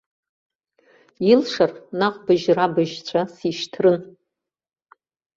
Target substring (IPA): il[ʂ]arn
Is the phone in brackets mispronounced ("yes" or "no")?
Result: no